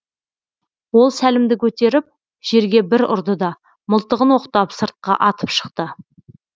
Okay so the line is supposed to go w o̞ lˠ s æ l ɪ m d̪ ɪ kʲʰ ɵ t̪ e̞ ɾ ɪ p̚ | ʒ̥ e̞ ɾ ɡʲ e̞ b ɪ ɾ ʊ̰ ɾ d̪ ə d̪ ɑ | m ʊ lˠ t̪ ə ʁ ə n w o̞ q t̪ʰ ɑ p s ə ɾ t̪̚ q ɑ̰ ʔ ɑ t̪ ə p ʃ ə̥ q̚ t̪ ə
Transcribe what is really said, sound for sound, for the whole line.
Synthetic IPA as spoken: w o̞ lˠ s æ l ɪ m d̪ ɪ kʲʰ ɵ t̪ e̞ ɾ ɪ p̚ | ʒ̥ e̞ ɾ ɡʲ e̞ b ɪ ɾ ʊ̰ ɾ d̪ ə d̪ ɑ | m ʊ lˠ t̪ ə ʁ ə n w o̞ q t̪ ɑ p s ə ɾ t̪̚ q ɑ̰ ʔ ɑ t̪ ə p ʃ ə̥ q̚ t̪ ə